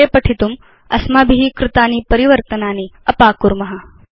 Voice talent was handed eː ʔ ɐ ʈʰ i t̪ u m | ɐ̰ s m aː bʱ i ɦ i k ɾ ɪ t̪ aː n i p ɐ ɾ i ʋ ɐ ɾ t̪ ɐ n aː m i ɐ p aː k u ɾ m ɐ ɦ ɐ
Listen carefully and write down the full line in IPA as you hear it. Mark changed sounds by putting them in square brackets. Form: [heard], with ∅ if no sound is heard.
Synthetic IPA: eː [p] ɐ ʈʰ i t̪ u m | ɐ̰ s m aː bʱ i ɦ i k ɾ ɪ t̪ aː n i p ɐ ɾ i ʋ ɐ ɾ t̪ ɐ n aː [n] i ɐ p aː k u ɾ m ɐ ɦ ɐ